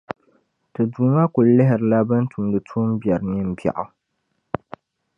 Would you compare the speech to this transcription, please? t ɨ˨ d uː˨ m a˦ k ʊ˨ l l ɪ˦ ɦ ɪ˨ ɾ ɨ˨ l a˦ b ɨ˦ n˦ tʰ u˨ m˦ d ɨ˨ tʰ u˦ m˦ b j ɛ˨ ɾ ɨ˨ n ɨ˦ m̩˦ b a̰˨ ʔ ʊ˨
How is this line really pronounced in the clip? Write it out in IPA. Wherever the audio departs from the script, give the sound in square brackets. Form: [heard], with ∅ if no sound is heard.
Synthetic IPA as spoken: t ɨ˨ d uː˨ m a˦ k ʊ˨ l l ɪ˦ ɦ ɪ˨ ɾ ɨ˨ l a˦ b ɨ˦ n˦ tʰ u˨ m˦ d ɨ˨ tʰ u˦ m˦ b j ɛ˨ ɾ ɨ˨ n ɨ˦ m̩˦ b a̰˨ ʔ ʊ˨